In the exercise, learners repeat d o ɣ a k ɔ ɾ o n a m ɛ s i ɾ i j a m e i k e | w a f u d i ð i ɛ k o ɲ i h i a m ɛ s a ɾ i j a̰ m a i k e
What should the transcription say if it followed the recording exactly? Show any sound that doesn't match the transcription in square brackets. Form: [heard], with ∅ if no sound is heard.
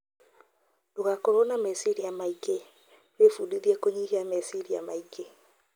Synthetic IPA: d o ɣ a k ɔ ɾ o n a m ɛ s i ɾ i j a m [a] i k e | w [e] f u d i ð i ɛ k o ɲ i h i a m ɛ s [i] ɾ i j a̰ m a i k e